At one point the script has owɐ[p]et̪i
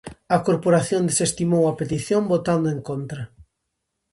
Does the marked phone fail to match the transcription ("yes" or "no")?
no